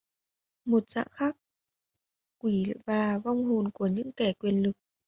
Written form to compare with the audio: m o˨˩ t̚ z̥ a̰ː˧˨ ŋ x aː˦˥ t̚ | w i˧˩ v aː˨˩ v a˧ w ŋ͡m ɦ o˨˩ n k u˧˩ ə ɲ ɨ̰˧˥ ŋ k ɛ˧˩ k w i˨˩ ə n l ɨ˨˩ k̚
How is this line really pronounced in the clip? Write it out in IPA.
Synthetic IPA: m o˨˩ t̚ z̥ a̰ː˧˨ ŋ x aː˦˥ k̚ | w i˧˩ v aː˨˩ v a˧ w ŋ͡m ɦ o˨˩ n k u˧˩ ə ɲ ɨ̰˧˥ ŋ k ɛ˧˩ k w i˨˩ ə n l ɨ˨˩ k̚